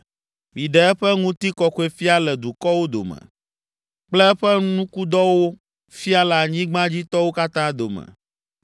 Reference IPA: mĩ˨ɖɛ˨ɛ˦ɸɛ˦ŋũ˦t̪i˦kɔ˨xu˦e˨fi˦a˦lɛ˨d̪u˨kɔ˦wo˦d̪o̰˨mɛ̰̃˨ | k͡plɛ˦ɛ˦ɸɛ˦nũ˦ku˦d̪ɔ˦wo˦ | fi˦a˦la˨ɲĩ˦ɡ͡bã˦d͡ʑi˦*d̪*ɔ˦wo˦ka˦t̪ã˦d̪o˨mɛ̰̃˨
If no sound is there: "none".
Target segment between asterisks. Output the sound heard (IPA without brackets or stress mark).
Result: t̪